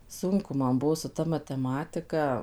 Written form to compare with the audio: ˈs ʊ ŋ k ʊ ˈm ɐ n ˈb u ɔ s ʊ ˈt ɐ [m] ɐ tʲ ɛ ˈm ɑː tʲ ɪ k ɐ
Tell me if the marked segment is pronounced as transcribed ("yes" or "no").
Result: yes